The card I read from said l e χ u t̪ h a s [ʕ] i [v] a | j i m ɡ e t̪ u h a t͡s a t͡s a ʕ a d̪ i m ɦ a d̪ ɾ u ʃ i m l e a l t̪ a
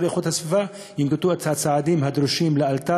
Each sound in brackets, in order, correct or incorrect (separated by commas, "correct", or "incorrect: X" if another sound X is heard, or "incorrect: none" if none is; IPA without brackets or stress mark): incorrect: v, correct